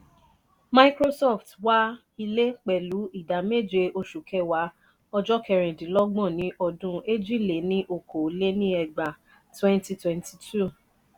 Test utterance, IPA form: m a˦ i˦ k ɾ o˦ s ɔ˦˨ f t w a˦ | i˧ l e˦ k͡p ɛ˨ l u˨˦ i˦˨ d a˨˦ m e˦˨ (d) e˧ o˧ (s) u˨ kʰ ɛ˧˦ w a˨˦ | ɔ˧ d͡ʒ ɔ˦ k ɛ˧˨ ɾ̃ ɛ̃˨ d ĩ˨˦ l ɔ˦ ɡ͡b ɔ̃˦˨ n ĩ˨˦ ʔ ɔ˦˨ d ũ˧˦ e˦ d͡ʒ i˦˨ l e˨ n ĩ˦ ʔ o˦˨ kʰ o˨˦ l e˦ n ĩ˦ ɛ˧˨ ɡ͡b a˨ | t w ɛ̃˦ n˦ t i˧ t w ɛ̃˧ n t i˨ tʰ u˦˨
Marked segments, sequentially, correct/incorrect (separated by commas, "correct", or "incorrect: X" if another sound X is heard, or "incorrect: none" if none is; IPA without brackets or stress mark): incorrect: d͡ʒ, incorrect: ʃ